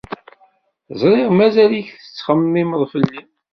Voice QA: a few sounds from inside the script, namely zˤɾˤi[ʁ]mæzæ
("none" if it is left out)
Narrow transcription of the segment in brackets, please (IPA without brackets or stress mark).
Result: ʁ